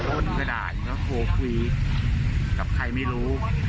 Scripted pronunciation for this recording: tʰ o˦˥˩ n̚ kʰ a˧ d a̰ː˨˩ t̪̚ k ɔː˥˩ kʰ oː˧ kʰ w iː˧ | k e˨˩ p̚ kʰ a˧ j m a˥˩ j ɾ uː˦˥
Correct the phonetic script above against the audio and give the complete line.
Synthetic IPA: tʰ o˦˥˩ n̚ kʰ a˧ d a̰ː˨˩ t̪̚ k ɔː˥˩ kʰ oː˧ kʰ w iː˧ | k a˨˩ p̚ kʰ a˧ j m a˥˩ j ɾ uː˦˥